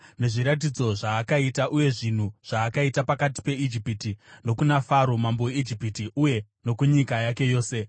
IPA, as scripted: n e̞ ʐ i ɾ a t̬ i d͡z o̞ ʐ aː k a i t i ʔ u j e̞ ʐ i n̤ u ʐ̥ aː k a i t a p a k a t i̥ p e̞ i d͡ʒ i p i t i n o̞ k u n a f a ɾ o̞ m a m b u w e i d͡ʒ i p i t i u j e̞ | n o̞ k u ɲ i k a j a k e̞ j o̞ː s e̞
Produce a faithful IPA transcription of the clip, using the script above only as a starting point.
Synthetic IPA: n e̞ ʐ i ɾ a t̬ i d͡z o̞ ʐ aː k a i t a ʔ u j e̞ ʐ i n̤ u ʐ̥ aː k a i t a p a k a t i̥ p e̞ i d͡ʒ i p i t i n o̞ k u n a f a ɾ o̞ m a m b o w e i d͡ʒ i p i t i u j e̞ | n o̞ k u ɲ i k a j a k e̞ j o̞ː s e̞